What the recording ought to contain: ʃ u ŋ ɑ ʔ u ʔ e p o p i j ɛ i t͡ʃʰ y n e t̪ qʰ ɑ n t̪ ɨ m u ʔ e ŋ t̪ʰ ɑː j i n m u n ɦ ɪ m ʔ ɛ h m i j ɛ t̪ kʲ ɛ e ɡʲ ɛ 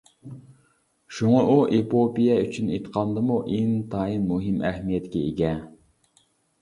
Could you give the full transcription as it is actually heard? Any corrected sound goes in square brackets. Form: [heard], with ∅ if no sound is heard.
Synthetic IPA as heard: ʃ u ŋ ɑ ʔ u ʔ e p o p i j ɛ [y] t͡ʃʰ y n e t̪ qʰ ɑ n [d̪] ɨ m u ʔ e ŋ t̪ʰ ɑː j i n m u [∅] ɦ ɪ m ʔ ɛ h m i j ɛ t̪ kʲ ɛ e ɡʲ ɛ